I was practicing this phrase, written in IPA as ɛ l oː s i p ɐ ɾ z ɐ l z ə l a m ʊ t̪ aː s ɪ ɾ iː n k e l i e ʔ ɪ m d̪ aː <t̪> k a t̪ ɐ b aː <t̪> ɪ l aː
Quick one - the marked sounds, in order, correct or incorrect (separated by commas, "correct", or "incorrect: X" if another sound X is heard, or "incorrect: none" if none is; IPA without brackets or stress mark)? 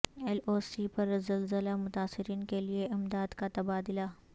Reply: incorrect: d̪, incorrect: d̪